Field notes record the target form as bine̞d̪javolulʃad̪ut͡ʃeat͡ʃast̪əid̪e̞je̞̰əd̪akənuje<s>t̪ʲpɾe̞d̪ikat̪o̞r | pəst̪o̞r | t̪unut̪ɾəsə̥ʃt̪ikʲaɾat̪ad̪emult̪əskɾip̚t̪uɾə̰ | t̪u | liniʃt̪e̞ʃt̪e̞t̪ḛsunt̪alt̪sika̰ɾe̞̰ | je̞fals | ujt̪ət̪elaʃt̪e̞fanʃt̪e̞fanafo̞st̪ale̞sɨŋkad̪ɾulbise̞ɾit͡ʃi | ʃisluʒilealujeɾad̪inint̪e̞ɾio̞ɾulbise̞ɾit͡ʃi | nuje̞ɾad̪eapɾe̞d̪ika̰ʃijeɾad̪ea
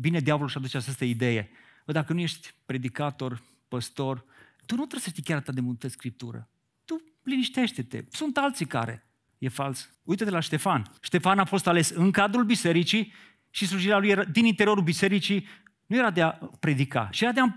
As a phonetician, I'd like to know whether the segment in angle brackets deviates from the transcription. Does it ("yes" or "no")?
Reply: yes